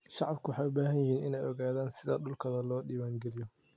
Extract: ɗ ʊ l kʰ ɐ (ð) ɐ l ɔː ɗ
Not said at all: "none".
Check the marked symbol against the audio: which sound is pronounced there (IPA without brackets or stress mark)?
ð